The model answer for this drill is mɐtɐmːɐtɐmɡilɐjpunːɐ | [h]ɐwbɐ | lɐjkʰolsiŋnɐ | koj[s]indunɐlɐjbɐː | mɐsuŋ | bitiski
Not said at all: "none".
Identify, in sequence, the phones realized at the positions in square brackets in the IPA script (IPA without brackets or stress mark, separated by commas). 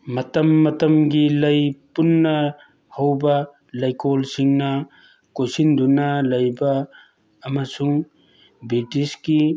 h, s